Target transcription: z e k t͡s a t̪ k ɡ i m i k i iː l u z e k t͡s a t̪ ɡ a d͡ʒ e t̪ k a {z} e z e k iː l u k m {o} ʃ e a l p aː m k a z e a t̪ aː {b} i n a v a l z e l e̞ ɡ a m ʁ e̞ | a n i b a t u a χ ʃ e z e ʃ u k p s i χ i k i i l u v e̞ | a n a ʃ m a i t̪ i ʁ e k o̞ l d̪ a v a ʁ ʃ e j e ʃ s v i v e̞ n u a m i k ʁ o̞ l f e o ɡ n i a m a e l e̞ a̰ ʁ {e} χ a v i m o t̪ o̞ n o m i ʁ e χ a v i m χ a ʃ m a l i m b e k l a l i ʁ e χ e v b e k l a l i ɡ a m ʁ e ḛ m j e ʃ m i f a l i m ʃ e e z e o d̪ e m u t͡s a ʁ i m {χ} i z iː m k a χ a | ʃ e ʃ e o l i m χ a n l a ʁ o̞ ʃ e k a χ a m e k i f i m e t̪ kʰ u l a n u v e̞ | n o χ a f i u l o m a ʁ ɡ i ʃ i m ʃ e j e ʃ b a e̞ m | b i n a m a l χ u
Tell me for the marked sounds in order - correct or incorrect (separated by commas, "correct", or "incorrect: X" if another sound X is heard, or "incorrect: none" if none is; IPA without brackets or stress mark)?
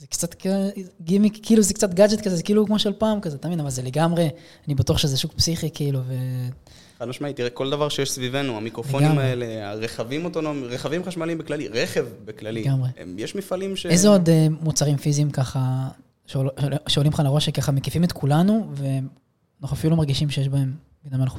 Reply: correct, correct, incorrect: v, correct, incorrect: f